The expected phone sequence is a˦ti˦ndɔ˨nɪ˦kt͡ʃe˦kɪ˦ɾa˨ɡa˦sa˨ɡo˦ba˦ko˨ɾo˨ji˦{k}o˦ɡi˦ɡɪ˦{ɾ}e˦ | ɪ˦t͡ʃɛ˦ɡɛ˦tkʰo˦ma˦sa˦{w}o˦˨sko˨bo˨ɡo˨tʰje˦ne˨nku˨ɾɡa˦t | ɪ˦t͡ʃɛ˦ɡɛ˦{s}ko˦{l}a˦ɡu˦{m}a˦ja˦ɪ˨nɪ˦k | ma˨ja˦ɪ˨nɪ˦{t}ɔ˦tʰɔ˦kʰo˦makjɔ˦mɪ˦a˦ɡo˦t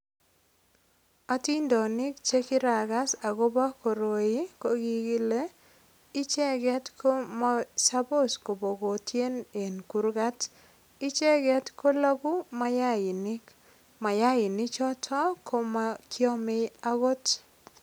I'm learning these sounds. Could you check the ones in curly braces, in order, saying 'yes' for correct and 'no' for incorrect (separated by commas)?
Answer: yes, no, no, no, yes, yes, no